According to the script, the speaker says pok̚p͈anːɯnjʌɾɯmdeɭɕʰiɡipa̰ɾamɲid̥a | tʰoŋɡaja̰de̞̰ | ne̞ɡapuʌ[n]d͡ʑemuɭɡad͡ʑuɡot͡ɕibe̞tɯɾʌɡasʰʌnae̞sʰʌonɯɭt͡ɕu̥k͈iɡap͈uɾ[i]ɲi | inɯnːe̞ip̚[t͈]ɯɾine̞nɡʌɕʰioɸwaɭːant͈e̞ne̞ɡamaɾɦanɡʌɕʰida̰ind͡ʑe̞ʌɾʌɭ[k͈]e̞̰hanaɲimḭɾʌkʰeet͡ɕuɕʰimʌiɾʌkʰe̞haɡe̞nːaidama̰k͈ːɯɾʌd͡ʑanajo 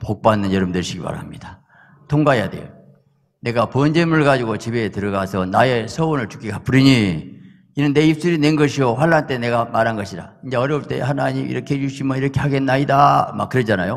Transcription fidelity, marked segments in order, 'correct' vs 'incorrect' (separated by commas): correct, correct, incorrect, incorrect